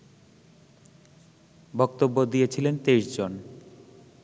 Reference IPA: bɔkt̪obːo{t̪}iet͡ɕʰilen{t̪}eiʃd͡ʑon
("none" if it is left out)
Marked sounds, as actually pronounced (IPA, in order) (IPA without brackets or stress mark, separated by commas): d̪, t̪